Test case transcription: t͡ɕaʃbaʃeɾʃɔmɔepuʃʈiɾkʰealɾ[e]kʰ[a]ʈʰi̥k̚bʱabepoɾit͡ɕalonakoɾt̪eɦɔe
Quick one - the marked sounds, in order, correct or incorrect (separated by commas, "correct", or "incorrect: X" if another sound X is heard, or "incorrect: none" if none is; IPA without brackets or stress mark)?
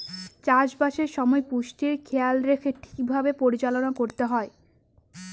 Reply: correct, incorrect: e